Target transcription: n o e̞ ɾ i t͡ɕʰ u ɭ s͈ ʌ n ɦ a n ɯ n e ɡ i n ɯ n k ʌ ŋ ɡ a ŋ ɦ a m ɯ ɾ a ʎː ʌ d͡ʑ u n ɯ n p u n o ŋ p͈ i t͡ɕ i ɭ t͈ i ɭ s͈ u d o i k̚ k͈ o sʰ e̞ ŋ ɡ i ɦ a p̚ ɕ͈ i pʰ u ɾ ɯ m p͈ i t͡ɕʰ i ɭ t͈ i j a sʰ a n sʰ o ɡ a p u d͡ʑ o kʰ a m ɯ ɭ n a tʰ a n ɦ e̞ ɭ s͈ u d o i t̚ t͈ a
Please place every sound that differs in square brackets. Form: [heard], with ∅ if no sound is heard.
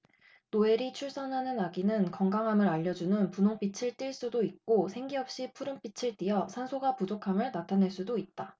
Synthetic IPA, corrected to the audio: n o e̞ ɾ i t͡ɕʰ u ɭ s͈ ʌ n ɦ a n ɯ n [a] ɡ i n ɯ n k ʌ ŋ ɡ a ŋ ɦ a m ɯ ɾ a ʎː ʌ d͡ʑ u n ɯ n p u n o ŋ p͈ i [t͡ɕʰ] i ɭ t͈ i ɭ s͈ u d o i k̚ k͈ o sʰ e̞ ŋ ɡ i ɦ [ʌ] p̚ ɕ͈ i pʰ u ɾ ɯ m p͈ i t͡ɕʰ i ɭ t͈ i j [ʌ] sʰ a n sʰ o ɡ a p u d͡ʑ o kʰ a m ɯ ɭ n a tʰ a n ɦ e̞ ɭ s͈ u d o i t̚ t͈ a

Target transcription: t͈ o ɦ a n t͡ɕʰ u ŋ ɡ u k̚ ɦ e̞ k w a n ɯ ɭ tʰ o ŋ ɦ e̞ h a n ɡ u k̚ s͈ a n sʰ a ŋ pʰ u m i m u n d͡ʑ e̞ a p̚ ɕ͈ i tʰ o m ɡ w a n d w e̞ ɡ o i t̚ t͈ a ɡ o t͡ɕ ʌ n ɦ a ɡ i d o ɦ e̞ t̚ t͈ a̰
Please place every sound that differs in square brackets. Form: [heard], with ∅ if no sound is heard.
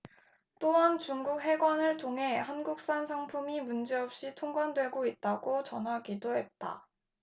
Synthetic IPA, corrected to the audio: t͈ o ɦ a n [t͡ɕ] u ŋ ɡ u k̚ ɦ e̞ [ɡ] w a n ɯ ɭ tʰ o ŋ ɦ e̞ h a n ɡ u k̚ s͈ a n sʰ a ŋ pʰ u m i m u n d͡ʑ e̞ [ʌ] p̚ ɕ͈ i tʰ o [ŋ] ɡ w a n d w e̞ ɡ o i t̚ t͈ a ɡ o t͡ɕ ʌ n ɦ a ɡ i d o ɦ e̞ t̚ t͈ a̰

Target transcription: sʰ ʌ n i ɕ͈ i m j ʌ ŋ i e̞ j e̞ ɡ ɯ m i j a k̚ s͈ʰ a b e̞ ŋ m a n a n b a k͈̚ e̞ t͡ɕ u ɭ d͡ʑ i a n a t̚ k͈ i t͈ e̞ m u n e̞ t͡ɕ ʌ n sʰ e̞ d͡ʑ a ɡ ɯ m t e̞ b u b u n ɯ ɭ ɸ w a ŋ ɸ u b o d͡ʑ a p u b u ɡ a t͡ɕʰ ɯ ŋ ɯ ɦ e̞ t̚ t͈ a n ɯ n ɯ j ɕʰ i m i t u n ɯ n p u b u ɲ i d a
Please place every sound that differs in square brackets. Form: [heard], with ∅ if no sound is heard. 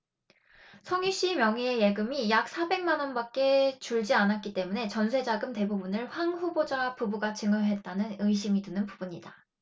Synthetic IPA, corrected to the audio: sʰ ʌ [ŋ] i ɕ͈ i m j ʌ ŋ i e̞ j e̞ ɡ ɯ m i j a k̚ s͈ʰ a b e̞ ŋ m a n [ʌ] n b a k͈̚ e̞ t͡ɕ u ɭ d͡ʑ i a n a t̚ k͈ i t͈ e̞ m u n e̞ t͡ɕ ʌ n sʰ e̞ d͡ʑ a ɡ ɯ m t e̞ b u b u n ɯ ɭ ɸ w a ŋ ɸ u b o d͡ʑ a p u b u ɡ a [t͡ɕ] ɯ ŋ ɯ ɦ e̞ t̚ t͈ a n ɯ n ɯ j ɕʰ i m i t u n ɯ n p u b u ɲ i d a

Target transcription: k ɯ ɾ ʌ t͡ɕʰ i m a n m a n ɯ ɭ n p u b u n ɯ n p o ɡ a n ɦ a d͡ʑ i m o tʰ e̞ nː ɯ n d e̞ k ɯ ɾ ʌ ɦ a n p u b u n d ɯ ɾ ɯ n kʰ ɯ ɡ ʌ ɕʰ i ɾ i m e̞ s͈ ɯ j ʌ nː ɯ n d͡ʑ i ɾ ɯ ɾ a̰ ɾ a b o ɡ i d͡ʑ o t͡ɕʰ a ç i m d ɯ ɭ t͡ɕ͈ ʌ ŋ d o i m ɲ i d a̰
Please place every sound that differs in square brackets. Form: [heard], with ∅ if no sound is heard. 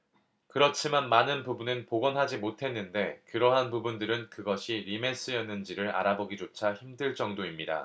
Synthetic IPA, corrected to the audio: k ɯ ɾ ʌ t͡ɕʰ i m a n m a n ɯ [∅] n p u b u n ɯ n p o ɡ [ʌ] n ɦ a d͡ʑ i m o tʰ e̞ nː ɯ n d e̞ k ɯ ɾ ʌ ɦ a n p u b u n d ɯ ɾ ɯ n [k] ɯ ɡ ʌ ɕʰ i ɾ i m e̞ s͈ ɯ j ʌ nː ɯ n d͡ʑ i ɾ ɯ ɾ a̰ ɾ a b o ɡ i d͡ʑ o t͡ɕʰ a ç i m d ɯ ɭ t͡ɕ͈ ʌ ŋ d o i m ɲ i d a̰

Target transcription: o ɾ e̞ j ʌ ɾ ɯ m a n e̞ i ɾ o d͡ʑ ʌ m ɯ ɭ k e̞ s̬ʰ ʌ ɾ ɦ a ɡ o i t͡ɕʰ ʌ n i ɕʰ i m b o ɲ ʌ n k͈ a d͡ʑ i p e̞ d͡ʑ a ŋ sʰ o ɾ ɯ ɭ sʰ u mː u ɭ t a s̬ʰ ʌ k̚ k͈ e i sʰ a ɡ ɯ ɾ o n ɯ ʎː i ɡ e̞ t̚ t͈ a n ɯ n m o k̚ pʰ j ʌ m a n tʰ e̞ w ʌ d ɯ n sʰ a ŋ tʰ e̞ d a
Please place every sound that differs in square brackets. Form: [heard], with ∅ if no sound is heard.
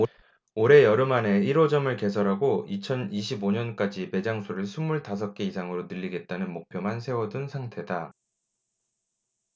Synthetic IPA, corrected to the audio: o ɾ e̞ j ʌ ɾ ɯ m a n e̞ i ɾ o d͡ʑ ʌ m ɯ ɭ k e̞ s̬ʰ ʌ ɾ ɦ a ɡ o i t͡ɕʰ ʌ n i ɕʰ i [∅] b o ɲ ʌ n k͈ a d͡ʑ i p e̞ d͡ʑ a ŋ sʰ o ɾ ɯ ɭ sʰ u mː u ɭ t a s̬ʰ ʌ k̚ k͈ e i sʰ a [ŋ] ɯ ɾ o n ɯ ʎː i ɡ e̞ t̚ t͈ a n ɯ n m o k̚ pʰ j ʌ m a n [sʰ] e̞ w ʌ d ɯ n sʰ a ŋ tʰ e̞ d a

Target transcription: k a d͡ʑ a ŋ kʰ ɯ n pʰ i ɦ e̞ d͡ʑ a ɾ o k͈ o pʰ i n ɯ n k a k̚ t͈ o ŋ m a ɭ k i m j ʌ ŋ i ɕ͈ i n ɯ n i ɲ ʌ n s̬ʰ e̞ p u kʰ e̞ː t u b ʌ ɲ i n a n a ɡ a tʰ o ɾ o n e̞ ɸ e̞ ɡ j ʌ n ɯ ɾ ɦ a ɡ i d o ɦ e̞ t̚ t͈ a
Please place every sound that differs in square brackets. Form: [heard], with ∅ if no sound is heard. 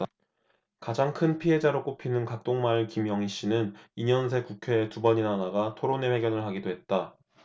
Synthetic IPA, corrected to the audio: k a d͡ʑ a ŋ kʰ ɯ n pʰ i ɦ e̞ d͡ʑ a ɾ o k͈ o pʰ i n ɯ n k a k̚ t͈ o ŋ m a ɭ k i m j ʌ ŋ i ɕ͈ i n ɯ n i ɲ ʌ n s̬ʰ e̞ [k] u kʰ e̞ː t u b ʌ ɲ i n a n a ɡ a tʰ o ɾ o n e̞ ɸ e̞ ɡ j ʌ n ɯ [ɭ] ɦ a ɡ i d o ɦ e̞ t̚ t͈ a

